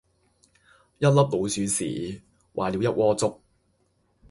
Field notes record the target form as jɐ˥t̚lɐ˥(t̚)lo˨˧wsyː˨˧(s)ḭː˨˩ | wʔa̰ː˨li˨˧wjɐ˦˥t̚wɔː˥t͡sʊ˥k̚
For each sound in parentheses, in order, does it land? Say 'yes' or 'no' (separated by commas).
no, yes